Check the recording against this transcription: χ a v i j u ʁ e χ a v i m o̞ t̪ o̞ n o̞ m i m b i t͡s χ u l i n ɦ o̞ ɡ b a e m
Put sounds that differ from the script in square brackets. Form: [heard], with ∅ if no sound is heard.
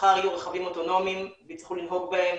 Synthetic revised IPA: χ a [ʁ] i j u ʁ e χ a v i m o̞ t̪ o̞ n o̞ m i m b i t͡s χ u l i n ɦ o̞ ɡ b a e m